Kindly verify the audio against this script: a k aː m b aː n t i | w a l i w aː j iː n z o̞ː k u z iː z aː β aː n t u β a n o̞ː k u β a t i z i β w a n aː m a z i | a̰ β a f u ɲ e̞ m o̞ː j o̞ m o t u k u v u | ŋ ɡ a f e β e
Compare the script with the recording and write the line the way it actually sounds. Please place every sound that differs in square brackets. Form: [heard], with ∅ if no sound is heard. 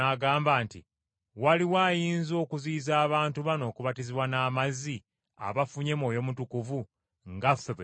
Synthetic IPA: a [ɡ] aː m b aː n t i | w a l i w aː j iː n z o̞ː k u z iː z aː β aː n t u β a n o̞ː k u β a t i z i β w a n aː m a z i | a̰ β a f u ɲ e̞ m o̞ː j o̞ m [u] t u k u v u | ŋ ɡ a f e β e